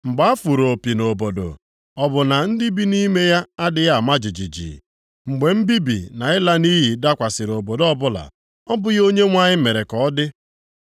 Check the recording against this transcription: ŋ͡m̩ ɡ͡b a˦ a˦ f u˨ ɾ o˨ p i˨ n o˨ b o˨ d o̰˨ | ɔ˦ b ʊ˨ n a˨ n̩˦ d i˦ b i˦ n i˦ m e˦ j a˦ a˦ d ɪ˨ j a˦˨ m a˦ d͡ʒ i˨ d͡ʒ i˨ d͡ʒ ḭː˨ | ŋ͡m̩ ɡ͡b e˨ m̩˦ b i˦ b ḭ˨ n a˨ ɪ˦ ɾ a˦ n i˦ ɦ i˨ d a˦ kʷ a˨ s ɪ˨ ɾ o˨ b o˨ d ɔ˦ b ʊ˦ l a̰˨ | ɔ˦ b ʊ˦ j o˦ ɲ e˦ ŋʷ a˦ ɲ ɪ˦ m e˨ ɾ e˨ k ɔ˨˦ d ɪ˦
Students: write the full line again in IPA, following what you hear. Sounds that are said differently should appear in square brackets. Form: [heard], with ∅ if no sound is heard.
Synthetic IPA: ŋ͡m̩ ɡ͡b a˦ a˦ f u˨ ɾ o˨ p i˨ n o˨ b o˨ d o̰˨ | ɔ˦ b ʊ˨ n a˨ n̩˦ d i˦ b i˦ n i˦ m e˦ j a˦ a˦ d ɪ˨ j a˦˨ m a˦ d͡ʒ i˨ d͡ʒ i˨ d͡ʒ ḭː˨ | ŋ͡m̩ ɡ͡b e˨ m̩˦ b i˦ b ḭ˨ n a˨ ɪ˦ [l] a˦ n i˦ ɦ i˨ d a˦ kʷ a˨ s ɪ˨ ɾ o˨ b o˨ d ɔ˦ b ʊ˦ l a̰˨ | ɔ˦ b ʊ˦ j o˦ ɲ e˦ ŋʷ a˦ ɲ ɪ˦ m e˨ ɾ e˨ k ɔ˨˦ d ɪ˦